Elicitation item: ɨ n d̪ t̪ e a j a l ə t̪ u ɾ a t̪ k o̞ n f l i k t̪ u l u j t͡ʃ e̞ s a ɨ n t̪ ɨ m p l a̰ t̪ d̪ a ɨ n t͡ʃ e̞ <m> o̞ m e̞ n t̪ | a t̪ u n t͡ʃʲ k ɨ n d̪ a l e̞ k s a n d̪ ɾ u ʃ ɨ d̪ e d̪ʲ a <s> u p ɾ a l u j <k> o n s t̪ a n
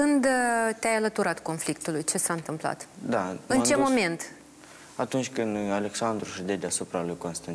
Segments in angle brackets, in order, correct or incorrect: correct, correct, correct

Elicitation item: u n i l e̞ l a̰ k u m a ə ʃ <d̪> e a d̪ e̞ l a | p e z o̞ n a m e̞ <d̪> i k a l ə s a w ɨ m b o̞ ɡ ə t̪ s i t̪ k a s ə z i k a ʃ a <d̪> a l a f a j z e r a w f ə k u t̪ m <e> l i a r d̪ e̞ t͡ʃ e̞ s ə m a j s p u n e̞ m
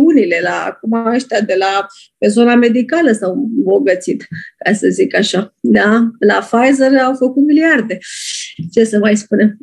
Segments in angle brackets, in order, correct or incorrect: incorrect: t̪, correct, correct, incorrect: i

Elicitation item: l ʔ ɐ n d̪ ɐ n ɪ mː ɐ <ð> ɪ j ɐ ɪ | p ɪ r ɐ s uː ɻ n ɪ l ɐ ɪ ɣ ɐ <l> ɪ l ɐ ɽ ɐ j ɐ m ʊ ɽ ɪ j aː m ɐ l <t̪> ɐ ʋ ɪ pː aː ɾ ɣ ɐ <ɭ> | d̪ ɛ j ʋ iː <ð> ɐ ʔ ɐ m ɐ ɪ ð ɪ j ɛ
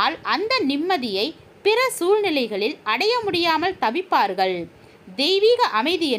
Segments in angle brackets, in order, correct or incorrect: correct, incorrect: ɭ, correct, correct, incorrect: ɣ

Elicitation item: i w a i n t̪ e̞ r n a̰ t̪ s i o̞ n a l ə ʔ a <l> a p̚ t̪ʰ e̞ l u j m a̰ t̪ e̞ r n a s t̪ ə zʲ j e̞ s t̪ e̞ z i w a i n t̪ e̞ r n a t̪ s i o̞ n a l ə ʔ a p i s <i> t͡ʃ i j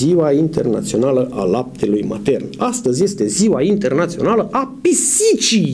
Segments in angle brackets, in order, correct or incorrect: correct, correct

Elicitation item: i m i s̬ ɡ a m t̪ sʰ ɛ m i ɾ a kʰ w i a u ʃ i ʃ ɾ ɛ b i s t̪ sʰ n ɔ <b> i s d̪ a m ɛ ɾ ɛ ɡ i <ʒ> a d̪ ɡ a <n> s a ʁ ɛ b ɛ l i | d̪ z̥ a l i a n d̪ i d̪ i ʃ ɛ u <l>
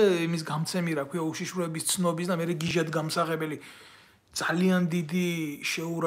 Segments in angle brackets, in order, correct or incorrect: correct, correct, incorrect: m, incorrect: ɾ

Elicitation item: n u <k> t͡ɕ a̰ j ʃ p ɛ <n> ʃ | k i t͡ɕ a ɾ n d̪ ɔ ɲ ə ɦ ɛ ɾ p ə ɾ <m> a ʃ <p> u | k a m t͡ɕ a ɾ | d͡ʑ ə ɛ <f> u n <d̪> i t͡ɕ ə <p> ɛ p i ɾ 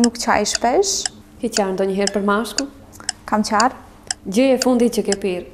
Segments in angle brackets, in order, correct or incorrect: correct, incorrect: none, correct, incorrect: k, correct, correct, incorrect: k

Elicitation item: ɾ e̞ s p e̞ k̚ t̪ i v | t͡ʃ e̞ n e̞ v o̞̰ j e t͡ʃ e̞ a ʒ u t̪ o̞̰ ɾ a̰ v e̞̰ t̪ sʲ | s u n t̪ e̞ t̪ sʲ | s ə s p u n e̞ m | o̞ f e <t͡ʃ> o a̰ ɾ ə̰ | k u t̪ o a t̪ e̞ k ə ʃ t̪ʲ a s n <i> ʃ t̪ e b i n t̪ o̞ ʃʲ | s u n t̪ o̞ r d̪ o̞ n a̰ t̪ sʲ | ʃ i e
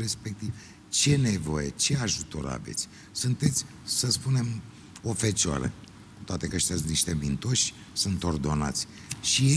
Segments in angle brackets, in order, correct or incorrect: correct, correct

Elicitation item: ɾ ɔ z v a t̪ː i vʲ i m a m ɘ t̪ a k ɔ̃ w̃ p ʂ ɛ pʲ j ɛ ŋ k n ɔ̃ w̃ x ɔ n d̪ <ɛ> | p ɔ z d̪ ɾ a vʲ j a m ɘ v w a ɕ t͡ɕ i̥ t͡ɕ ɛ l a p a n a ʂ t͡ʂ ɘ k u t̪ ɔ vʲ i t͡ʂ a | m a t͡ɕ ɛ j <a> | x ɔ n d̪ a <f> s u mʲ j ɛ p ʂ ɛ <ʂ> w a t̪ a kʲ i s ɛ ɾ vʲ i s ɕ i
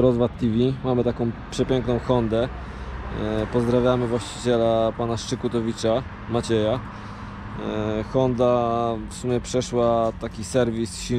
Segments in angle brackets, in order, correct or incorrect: correct, correct, correct, correct

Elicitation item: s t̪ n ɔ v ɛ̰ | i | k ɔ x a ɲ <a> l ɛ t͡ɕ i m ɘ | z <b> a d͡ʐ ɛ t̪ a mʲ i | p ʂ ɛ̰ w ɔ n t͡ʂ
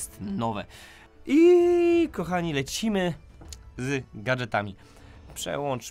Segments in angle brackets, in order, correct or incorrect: incorrect: i, incorrect: ɡ

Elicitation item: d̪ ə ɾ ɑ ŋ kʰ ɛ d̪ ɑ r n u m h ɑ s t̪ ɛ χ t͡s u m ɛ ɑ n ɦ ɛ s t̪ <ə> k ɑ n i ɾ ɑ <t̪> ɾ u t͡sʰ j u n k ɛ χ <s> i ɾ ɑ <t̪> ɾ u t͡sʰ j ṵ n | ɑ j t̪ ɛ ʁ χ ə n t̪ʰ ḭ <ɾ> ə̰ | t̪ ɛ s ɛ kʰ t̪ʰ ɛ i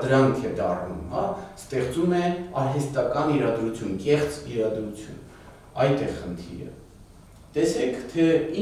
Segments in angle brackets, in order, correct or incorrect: incorrect: ɑ, incorrect: d̪, incorrect: t͡s, incorrect: d̪, correct

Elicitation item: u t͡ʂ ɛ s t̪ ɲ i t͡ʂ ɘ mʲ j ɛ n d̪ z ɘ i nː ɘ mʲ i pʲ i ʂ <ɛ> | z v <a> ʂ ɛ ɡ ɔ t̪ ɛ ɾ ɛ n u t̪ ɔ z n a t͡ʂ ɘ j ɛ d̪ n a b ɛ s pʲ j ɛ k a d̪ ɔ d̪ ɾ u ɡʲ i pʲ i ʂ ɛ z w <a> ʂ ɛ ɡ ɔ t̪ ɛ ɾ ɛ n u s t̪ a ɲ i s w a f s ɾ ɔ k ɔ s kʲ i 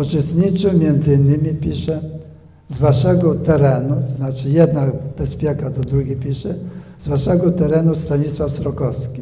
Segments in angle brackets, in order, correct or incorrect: correct, correct, correct

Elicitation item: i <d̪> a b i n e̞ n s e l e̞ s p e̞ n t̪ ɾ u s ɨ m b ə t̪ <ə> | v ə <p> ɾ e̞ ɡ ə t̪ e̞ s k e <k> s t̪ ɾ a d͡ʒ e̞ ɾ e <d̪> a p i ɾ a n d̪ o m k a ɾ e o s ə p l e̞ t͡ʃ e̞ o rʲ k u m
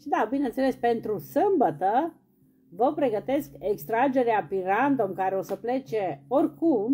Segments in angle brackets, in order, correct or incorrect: correct, correct, correct, correct, incorrect: none

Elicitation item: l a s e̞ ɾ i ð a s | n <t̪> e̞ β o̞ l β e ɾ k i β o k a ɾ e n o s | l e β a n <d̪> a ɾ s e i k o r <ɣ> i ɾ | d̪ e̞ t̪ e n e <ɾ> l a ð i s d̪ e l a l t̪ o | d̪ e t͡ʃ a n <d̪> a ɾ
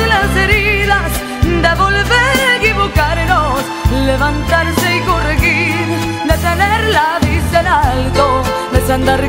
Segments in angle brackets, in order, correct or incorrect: incorrect: d̪, incorrect: t̪, correct, correct, correct

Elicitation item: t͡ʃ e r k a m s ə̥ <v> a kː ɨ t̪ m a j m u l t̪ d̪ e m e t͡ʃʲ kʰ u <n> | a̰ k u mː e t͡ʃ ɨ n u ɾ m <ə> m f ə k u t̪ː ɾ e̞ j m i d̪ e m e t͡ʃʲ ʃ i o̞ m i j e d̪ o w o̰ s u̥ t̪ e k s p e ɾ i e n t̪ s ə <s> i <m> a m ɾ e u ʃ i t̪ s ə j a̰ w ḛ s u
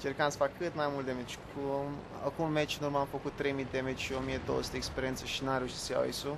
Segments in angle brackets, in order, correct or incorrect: incorrect: f, incorrect: m, incorrect: a, incorrect: ʃ, incorrect: n

